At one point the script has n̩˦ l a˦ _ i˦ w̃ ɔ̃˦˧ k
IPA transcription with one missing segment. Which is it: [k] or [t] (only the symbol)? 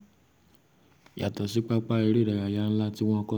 t